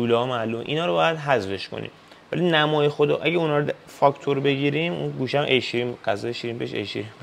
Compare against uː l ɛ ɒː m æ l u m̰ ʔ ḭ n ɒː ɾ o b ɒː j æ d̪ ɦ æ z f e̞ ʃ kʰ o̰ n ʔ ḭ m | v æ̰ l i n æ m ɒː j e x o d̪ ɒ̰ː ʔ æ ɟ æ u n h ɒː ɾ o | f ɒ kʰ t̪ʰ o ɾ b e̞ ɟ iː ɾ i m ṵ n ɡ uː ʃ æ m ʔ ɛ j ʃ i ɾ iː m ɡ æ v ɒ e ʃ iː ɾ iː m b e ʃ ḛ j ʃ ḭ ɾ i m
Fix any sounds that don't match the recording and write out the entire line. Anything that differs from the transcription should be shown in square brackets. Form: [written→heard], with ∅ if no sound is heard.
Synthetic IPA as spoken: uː l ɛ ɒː m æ l u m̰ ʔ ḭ n ɒː ɾ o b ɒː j æ d̪ ɦ æ z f e̞ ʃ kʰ o̰ n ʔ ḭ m | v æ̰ l i n æ m ɒː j e x o d̪ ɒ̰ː ʔ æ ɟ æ u n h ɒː ɾ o | f ɒ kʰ t̪ʰ o ɾ b e̞ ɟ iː ɾ i m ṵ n ɡ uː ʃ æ m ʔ [ɛ→e] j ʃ i ɾ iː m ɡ æ [v→z] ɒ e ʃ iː ɾ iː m b e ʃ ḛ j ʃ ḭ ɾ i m